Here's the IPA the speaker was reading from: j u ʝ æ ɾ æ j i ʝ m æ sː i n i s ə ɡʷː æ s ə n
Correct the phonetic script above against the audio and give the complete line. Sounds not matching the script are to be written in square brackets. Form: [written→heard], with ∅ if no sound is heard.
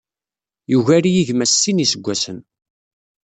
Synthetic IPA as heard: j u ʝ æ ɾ [æ→i] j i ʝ m æ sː i n i s ə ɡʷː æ s ə n